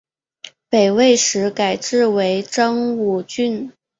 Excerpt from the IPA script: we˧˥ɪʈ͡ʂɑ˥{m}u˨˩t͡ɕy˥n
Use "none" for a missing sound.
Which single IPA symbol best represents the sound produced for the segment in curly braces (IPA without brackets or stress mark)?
ŋ